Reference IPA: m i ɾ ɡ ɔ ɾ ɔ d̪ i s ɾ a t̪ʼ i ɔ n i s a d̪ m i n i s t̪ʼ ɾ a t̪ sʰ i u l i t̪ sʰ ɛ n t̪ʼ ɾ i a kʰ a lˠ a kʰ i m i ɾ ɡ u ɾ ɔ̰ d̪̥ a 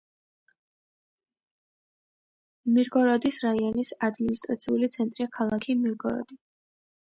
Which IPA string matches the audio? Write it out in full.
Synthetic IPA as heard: m i ɾ ɡ ɔ ɾ ɔ d̪ i s ɾ a i ɔ n i s a d̪ m i n i s t̪ʼ ɾ a t̪ sʰ i u l i t̪ sʰ ɛ n t̪ʼ ɾ i a kʰ a lˠ a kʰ i m i ɾ ɡ ɔ ɾ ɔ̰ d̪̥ i

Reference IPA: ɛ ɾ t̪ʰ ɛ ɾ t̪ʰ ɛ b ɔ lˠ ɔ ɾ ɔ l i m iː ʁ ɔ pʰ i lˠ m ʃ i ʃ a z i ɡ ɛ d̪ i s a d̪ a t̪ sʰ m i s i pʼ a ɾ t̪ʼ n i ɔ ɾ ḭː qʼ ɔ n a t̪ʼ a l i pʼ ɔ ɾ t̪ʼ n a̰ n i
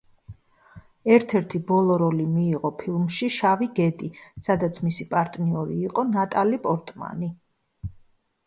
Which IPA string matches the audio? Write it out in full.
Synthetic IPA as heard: ɛ ɾ t̪ʰ ɛ ɾ t̪ʰ i b ɔ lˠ ɔ ɾ ɔ l i m iː ʁ ɔ pʰ i lˠ m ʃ i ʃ a v i ɡ ɛ d̪ i s a d̪ a t̪ sʰ m i s i pʼ a ɾ t̪ʼ n i ɔ ɾ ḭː qʼ ɔ n a t̪ʼ a l i pʼ ɔ ɾ t̪ʼ m a̰ n i

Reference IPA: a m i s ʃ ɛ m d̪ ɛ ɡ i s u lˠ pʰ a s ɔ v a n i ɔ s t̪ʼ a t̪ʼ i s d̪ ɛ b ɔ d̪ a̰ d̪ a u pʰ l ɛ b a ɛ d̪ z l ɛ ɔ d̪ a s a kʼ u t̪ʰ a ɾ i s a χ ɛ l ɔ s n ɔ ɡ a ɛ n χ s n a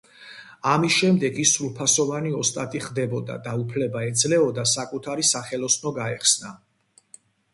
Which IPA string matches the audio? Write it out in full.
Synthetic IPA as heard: a m i s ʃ ɛ m d̪ ɛ ɡ i s u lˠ pʰ a s ɔ v a n i ɔ s t̪ʼ a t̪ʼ i χ d̪ ɛ b ɔ d̪ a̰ d̪ a u pʰ l ɛ b a ɛ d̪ z l ɛ ɔ d̪ a s a kʼ u t̪ʰ a ɾ i s a χ ɛ l ɔ s n ɔ ɡ a ɛ χ s n a

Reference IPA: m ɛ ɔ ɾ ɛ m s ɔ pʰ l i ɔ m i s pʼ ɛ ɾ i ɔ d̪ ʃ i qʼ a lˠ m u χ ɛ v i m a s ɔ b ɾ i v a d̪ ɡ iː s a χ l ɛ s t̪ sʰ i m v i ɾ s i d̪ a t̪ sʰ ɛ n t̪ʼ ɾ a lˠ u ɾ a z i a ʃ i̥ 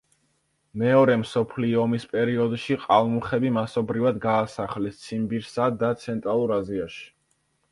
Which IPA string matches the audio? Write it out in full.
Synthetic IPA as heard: m ɛ ɔ ɾ ɛ m s ɔ pʰ l i ɔ m i s pʼ ɛ ɾ i ɔ d̪ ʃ i qʼ a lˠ m u χ ɛ b i m a s ɔ b ɾ i v a d̪ ɡ aː s a χ l ɛ s t̪ sʰ i m b i ɾ s a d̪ a t̪ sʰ ɛ n t̪ʼ ɾ a lˠ u ɾ a z i a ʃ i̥

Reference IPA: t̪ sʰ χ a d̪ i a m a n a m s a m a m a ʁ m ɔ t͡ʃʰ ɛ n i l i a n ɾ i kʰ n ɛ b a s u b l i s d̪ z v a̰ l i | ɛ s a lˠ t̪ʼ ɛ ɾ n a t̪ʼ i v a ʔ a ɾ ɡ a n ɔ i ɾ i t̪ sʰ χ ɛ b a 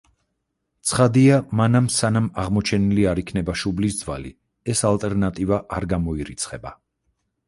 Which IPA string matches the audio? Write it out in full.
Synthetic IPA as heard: t̪ sʰ χ a d̪ i a m a n a m s a n a m a ʁ m ɔ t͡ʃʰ ɛ n i l i a ɾ i kʰ n ɛ b a ʃ u b l i s d̪ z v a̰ l i | ɛ s a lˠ t̪ʼ ɛ ɾ n a t̪ʼ i v a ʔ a ɾ ɡ a m ɔ i ɾ i t̪ sʰ χ ɛ b a

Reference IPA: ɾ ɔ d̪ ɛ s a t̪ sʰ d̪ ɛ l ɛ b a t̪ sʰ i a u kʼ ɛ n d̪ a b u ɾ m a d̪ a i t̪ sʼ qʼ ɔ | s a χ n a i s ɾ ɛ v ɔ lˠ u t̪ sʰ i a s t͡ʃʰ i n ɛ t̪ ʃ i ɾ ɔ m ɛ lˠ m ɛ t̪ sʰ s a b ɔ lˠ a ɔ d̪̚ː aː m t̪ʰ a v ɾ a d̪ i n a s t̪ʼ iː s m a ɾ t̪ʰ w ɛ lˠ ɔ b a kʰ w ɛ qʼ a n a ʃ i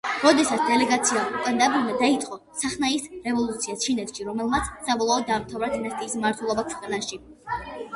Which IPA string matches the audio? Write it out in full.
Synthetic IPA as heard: ɾ ɔ d̪ ɛ s a t̪ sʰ d̪ ɛ l ɛ ɡ a t̪ sʰ i a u kʼ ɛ n d̪ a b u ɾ m a d̪ a i t̪ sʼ qʼ ɔ | s a χ n a i s ɾ ɛ v ɔ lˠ u t̪ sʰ i a s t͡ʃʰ i n ɛ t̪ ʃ i ɾ ɔ m ɛ lˠ m a t̪ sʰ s a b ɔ lˠ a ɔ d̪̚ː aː m t̪ʰ a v ɾ a d̪ i n a s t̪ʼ iː s m a ɾ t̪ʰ w ɛ lˠ ɔ b a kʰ w ɛ qʼ a n a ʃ i

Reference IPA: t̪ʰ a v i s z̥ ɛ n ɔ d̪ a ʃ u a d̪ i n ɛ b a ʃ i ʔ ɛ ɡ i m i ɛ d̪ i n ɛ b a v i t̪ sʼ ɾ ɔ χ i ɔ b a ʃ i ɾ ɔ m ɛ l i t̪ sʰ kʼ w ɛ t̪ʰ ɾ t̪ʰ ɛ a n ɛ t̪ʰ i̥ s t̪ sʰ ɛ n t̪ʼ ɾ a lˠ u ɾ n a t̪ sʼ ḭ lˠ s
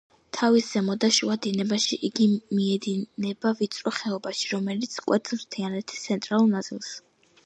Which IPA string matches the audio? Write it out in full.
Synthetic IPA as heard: t̪ʰ a v i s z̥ ɛ m ɔ d̪ a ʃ u a d̪ i n ɛ b a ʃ i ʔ i ɡ i m i ɛ d̪ i n ɛ b a v i t̪ sʼ ɾ ɔ χ ɛ ɔ b a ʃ i ɾ ɔ m ɛ l i t̪ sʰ kʼ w ɛ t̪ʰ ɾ t̪ʰ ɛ a n ɛ t̪ʰ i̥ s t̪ sʰ ɛ n t̪ʼ ɾ a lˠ u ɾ n a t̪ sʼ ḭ lˠ s

